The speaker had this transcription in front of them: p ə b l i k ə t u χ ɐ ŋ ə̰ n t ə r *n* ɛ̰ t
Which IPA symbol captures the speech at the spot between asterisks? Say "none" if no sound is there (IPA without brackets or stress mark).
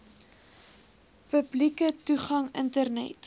n